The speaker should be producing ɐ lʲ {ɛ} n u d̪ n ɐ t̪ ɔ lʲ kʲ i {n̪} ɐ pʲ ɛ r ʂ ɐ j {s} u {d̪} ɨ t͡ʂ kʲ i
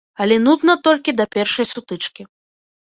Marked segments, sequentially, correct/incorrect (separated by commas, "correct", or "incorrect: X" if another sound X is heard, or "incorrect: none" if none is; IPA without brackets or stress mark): correct, incorrect: d̪, correct, incorrect: t̪